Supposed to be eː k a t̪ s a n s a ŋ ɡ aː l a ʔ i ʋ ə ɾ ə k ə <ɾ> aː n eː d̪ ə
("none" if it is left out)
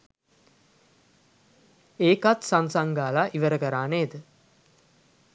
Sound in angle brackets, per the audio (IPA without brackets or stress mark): ɾ